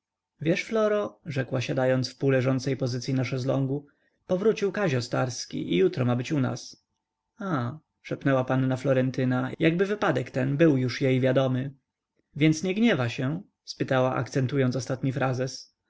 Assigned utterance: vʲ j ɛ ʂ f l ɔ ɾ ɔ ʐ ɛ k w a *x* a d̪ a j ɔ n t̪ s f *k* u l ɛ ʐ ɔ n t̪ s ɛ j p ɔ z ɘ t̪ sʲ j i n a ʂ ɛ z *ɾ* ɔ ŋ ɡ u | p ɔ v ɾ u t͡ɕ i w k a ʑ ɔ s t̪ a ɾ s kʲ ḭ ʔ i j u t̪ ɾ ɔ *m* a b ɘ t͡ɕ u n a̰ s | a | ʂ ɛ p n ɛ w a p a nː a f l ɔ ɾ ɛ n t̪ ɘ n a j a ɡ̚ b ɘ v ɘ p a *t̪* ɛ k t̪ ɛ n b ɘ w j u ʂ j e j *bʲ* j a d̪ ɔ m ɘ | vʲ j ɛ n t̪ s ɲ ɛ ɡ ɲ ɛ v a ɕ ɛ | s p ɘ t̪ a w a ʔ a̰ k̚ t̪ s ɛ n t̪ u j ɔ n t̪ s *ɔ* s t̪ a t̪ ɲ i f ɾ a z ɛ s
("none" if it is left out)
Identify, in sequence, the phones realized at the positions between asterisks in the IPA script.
ɕ, p, l, m, d̪, vʲ, ɔ

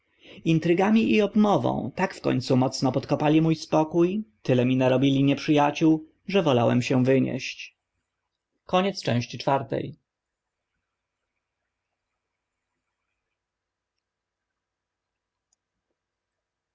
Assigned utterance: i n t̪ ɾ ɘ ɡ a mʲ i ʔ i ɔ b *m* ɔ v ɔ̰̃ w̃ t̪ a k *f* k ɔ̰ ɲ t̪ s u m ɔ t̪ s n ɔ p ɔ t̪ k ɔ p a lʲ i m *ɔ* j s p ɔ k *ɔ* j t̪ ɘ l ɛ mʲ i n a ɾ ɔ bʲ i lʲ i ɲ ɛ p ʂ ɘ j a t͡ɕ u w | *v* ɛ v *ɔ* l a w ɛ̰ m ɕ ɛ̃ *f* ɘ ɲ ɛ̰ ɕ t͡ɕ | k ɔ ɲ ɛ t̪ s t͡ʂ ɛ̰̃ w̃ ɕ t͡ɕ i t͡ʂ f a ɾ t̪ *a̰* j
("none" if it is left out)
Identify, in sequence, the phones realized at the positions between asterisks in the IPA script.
m, f, u, u, ʐ, ɔ, v, ɛ̰

